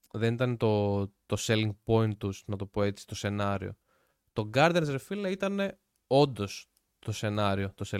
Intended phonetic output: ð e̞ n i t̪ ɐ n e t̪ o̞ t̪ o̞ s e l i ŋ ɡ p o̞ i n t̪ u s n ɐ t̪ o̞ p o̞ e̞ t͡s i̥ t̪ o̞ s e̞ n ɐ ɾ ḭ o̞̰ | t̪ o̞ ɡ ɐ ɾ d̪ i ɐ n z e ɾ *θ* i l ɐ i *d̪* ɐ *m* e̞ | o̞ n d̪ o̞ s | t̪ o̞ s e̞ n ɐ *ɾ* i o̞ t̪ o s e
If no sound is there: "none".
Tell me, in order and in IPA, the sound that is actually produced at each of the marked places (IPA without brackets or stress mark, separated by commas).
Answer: f, t̪, n, ɾ